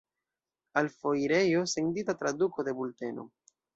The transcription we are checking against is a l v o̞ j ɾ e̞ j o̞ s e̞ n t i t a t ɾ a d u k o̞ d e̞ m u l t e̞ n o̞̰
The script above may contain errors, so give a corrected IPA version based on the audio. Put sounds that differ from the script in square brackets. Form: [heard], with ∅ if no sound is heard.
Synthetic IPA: a l [f] o̞ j ɾ e̞ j o̞ s e̞ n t i t a t ɾ a d u k o̞ d e̞ [b] u l t e̞ n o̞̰